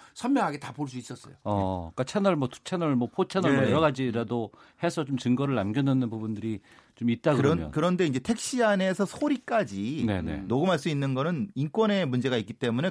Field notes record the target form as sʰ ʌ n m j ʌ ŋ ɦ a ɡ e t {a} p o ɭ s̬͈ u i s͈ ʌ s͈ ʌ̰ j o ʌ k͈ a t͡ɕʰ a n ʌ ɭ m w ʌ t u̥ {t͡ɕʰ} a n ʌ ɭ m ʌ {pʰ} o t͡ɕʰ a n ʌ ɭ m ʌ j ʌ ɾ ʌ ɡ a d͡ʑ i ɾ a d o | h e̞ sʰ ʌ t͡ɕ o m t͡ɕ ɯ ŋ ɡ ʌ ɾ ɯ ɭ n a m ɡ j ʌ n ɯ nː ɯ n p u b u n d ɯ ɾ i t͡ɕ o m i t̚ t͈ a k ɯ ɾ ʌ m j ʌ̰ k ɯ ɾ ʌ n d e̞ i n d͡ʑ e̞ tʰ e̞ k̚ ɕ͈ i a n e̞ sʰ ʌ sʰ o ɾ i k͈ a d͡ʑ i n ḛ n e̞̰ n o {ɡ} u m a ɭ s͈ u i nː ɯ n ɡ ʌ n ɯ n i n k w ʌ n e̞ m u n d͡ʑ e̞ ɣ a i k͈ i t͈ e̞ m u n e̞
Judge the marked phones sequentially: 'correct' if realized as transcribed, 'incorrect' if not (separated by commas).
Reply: correct, correct, correct, correct